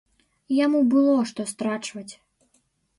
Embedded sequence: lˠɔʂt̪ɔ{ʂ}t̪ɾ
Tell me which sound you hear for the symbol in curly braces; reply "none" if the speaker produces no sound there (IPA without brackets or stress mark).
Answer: s